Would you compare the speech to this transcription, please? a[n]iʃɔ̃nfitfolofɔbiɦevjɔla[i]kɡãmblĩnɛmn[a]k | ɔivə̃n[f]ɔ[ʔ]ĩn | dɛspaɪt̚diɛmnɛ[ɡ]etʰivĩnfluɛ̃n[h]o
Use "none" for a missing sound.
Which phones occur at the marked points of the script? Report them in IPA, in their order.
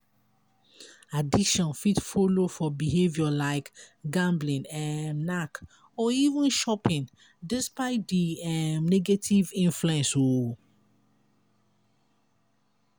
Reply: d, ɪ, a, ʃ, p, ɡ, s

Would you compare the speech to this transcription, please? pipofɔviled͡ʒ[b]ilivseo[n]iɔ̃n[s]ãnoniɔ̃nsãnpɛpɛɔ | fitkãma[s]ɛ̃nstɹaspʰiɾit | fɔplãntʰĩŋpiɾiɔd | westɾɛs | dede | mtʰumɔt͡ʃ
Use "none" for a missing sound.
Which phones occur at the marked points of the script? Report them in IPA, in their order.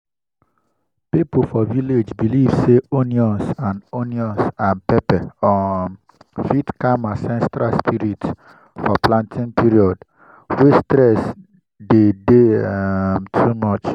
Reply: b, n, s, s

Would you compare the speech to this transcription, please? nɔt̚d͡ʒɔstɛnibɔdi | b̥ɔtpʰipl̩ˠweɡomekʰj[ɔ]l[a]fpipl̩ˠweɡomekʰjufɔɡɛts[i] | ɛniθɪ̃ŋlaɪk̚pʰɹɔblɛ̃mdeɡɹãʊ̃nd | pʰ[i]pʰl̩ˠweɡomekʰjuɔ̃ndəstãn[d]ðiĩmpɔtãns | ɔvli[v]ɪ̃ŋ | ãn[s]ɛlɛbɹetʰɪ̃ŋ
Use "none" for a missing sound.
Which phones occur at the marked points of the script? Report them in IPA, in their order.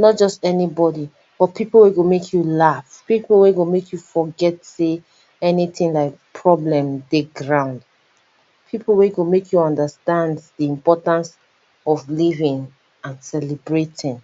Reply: u, a, e, i, d, v, s

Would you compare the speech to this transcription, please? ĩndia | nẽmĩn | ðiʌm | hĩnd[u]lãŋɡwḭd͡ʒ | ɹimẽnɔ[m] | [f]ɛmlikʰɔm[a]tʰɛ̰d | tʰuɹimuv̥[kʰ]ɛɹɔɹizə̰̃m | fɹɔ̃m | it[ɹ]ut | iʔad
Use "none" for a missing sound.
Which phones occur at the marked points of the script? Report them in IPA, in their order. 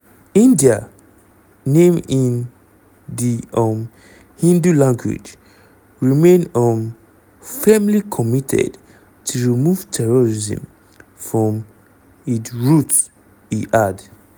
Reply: u, m, f, i, tʰ, ɹ

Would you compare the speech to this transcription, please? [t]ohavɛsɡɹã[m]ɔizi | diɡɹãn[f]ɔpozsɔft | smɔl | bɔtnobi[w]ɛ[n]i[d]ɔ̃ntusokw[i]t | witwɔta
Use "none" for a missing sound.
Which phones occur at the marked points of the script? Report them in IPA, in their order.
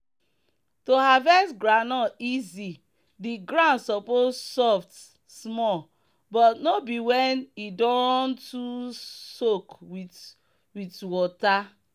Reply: t, n, s, w, n, d, i

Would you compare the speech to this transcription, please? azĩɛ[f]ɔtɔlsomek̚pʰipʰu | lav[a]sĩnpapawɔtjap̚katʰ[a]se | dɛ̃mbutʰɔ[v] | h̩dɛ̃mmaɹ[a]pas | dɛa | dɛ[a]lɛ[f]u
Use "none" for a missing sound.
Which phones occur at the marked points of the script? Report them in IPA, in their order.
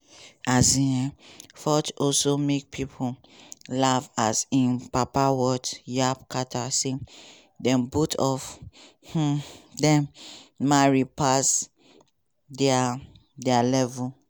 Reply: f, a, a, f, i, a, v

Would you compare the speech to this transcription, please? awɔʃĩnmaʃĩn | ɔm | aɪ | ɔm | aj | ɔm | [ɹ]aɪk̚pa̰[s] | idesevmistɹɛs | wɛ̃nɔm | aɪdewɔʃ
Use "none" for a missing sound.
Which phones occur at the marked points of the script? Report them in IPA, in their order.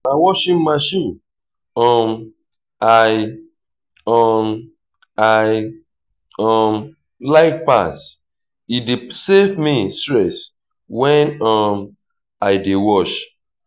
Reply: l, s

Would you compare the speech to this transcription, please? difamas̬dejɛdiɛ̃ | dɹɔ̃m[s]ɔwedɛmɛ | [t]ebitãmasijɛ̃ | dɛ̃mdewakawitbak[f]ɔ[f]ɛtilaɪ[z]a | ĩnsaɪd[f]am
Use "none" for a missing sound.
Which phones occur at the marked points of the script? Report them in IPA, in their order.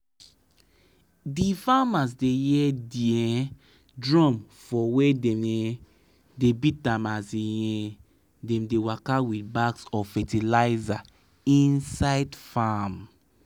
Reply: f, d, s, f, z, f

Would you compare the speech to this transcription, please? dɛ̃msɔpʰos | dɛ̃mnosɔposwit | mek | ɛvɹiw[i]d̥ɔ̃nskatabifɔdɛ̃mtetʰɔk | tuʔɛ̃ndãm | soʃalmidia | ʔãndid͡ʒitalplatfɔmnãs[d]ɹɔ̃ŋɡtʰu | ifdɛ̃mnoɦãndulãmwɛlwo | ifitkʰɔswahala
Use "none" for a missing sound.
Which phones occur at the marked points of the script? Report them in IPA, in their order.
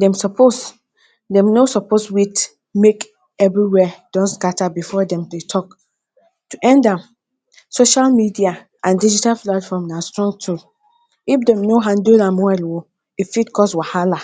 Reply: ɛ, t

